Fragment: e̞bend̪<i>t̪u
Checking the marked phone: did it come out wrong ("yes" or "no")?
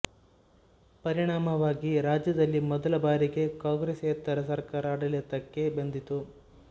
no